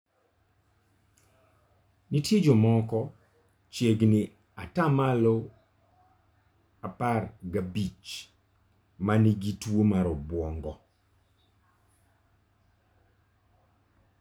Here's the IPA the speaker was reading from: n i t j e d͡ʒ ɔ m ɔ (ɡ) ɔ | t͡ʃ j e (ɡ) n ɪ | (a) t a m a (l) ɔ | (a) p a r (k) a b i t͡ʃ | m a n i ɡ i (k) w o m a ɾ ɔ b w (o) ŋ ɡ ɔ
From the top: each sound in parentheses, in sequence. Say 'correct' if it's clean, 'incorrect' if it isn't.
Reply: incorrect, correct, correct, correct, correct, incorrect, incorrect, incorrect

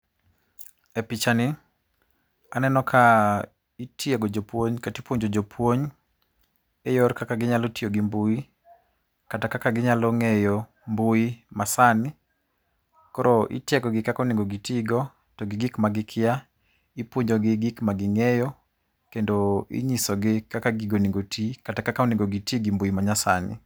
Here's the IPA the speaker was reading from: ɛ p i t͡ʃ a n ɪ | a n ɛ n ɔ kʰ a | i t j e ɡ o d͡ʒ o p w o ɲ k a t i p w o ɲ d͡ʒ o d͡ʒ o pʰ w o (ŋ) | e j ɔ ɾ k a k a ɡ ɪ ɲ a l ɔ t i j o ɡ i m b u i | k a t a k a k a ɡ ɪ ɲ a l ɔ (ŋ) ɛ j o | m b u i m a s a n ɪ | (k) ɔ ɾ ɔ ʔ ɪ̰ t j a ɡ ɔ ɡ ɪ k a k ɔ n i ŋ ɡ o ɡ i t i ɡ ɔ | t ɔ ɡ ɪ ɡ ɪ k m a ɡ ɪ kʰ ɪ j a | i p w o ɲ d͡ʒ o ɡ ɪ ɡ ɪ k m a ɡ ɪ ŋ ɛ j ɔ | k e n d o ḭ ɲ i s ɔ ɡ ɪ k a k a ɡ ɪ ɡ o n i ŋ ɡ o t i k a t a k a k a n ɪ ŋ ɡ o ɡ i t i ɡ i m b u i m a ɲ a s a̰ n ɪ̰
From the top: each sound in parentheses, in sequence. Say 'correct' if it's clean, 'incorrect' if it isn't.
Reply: incorrect, correct, correct

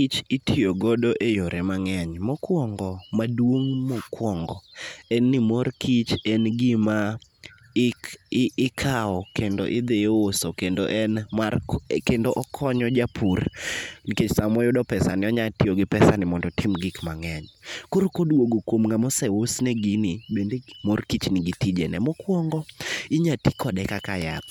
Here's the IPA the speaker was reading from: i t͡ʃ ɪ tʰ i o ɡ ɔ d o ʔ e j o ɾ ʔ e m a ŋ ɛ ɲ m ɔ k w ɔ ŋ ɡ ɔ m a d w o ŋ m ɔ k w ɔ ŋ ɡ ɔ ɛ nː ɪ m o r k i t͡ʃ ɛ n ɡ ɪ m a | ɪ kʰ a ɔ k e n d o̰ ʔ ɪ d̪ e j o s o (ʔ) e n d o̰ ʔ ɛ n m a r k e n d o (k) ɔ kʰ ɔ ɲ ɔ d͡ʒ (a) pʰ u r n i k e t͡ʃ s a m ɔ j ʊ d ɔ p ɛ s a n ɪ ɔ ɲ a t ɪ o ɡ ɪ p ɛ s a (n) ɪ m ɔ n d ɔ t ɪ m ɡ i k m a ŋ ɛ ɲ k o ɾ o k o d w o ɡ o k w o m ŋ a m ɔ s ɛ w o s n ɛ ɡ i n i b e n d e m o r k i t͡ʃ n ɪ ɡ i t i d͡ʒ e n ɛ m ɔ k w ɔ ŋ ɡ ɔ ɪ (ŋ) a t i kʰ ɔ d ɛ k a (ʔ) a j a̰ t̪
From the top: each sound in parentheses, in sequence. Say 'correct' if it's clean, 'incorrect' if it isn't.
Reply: incorrect, incorrect, correct, correct, incorrect, incorrect

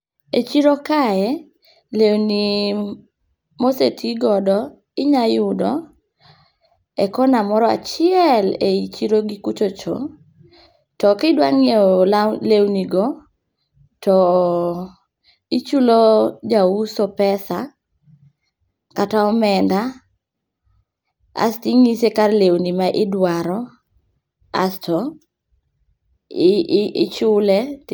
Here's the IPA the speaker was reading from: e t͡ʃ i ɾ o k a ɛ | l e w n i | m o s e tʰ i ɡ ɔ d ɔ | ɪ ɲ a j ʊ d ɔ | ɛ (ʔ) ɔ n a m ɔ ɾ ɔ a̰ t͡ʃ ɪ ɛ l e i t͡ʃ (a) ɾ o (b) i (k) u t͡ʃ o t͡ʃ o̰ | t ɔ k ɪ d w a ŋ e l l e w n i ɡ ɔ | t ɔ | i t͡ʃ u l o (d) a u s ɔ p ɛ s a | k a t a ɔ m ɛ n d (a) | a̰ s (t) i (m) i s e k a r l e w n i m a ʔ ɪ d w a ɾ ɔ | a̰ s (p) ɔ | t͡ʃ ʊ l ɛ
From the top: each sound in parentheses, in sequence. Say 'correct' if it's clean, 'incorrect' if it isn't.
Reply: incorrect, incorrect, incorrect, correct, incorrect, correct, correct, incorrect, incorrect

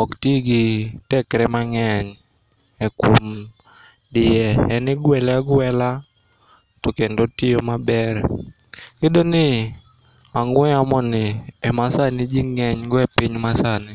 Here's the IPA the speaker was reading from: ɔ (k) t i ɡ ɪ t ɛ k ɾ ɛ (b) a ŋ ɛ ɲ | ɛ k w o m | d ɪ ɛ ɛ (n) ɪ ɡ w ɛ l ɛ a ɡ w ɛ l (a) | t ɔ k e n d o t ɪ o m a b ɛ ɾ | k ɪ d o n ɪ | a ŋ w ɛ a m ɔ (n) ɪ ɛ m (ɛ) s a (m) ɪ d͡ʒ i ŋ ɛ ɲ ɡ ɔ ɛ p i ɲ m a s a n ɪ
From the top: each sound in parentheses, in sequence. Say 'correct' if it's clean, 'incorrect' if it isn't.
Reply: correct, incorrect, correct, correct, correct, incorrect, incorrect

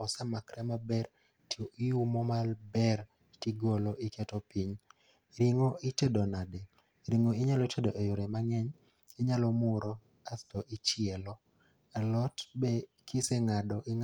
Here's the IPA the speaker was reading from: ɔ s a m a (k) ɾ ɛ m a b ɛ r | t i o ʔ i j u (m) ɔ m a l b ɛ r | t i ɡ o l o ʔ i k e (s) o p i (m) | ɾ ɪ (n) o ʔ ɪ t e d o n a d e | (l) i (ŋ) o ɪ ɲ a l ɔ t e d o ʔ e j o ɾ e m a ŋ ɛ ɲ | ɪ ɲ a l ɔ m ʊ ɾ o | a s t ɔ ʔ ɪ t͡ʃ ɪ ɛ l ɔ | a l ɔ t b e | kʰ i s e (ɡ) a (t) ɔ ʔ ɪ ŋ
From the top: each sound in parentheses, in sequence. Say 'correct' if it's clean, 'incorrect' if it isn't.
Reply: correct, correct, incorrect, incorrect, incorrect, incorrect, correct, incorrect, incorrect

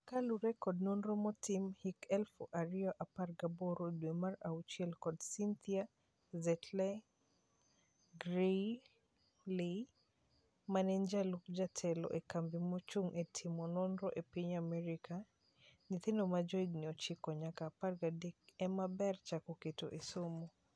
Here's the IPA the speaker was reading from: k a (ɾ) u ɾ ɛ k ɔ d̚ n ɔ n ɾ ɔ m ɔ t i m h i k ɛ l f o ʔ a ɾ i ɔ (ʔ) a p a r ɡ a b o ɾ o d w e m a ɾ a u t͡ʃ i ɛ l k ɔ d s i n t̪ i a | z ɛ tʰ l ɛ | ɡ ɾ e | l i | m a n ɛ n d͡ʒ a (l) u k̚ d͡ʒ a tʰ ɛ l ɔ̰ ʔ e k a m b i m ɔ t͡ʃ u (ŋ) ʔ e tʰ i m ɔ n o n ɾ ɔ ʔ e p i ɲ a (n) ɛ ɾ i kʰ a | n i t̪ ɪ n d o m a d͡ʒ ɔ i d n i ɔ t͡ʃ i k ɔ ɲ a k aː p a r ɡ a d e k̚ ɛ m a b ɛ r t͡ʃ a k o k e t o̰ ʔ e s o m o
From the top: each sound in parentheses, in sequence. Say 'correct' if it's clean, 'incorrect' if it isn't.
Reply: incorrect, correct, correct, correct, incorrect

